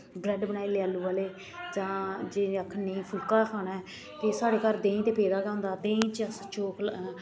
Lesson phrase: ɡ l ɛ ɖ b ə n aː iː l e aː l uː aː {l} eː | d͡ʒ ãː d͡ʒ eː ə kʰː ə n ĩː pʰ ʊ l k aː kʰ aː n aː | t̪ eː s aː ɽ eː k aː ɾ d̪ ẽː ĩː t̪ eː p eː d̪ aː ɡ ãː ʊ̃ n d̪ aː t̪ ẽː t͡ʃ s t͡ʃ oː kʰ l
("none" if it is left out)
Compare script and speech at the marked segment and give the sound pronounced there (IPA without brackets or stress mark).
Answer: l